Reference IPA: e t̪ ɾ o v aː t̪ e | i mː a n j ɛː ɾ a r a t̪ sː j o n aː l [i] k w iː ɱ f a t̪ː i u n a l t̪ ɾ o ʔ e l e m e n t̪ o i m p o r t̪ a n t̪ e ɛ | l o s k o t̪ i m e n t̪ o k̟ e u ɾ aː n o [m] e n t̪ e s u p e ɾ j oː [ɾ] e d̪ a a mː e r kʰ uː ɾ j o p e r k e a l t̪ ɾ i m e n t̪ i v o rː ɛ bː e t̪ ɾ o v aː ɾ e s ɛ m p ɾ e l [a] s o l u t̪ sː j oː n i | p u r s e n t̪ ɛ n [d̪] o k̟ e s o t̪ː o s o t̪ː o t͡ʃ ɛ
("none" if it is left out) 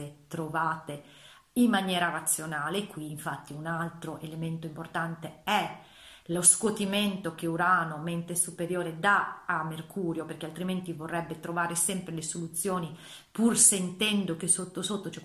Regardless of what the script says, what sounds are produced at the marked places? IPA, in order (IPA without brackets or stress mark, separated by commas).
e, m, ɾ, e, d̪